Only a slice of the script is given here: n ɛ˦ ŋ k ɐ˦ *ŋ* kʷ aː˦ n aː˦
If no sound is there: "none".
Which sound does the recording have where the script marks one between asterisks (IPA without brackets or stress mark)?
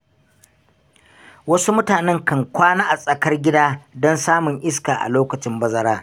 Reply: ŋ